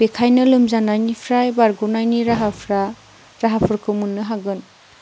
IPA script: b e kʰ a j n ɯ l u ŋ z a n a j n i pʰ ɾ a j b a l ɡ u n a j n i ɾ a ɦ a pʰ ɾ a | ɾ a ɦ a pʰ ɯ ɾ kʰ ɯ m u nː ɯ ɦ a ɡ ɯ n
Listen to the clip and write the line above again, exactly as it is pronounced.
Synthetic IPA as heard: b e kʰ a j n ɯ l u m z a n a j n i pʰ ɾ a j b a ɾ ɡ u n a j n i ɾ a ɦ a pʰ ɾ a | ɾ a ɦ a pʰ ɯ ɾ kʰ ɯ m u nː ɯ ɦ a ɡ ɯ n